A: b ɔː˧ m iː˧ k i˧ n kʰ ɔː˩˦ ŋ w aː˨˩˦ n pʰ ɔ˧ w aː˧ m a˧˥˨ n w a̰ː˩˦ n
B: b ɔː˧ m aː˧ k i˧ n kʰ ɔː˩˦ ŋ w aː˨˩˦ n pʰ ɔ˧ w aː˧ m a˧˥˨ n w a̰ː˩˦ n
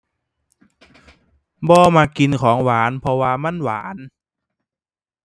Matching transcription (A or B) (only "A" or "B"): B